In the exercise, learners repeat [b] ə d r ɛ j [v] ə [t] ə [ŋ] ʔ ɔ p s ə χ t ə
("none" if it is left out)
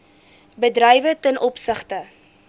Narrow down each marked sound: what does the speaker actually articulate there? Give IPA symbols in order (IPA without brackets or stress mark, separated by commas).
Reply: b, v, t, n